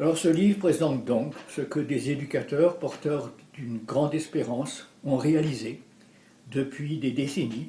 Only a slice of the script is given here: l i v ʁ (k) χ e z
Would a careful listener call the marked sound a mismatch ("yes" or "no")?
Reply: yes